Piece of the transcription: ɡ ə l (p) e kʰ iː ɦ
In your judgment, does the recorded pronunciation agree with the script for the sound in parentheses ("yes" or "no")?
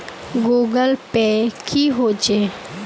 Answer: yes